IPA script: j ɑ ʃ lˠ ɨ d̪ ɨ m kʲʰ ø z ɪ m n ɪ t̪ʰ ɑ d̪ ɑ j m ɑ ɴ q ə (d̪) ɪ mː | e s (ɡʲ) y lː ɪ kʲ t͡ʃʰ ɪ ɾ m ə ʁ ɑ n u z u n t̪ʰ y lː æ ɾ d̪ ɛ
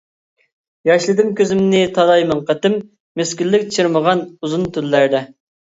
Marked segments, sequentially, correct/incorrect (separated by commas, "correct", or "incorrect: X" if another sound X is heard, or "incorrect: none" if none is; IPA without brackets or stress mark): incorrect: t̪, incorrect: kʲ